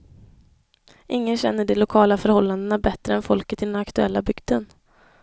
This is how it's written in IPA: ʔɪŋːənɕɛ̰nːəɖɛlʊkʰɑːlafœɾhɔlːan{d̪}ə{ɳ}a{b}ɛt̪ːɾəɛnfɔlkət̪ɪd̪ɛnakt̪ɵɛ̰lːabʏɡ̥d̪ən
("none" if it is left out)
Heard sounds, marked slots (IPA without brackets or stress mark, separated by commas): d̪, n, b